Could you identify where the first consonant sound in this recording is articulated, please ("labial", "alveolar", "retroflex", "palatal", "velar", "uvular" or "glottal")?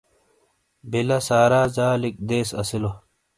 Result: labial